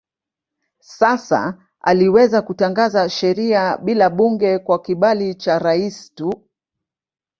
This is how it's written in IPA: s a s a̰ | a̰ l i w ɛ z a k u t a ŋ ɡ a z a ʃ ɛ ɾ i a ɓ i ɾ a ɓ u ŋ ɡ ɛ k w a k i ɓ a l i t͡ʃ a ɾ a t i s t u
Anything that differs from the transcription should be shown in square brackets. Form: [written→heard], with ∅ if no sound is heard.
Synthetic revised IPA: s a s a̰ | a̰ l i w ɛ z a k u t a ŋ ɡ a z a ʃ ɛ ɾ i a ɓ i [ɾ→l] a ɓ u ŋ ɡ ɛ k w a k i ɓ a l i t͡ʃ a ɾ a [t→∅] i s t u